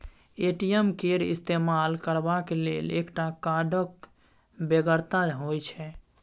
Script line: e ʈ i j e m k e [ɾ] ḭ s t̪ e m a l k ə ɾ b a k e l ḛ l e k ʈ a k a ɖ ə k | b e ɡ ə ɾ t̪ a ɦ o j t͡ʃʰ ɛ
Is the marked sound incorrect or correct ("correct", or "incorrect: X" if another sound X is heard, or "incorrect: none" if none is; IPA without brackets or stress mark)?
correct